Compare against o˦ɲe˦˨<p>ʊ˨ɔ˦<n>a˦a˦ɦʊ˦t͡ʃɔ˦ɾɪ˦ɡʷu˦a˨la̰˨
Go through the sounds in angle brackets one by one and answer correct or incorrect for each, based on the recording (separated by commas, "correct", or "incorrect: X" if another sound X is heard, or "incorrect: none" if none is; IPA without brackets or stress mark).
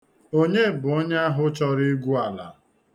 incorrect: b, incorrect: ɲ